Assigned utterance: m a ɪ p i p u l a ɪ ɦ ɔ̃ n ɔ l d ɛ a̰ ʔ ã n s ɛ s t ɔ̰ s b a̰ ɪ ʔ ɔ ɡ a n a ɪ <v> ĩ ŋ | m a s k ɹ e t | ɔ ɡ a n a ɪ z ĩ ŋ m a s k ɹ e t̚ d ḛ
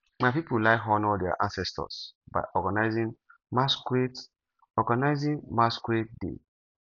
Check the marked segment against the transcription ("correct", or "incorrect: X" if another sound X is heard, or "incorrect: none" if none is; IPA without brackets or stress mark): incorrect: z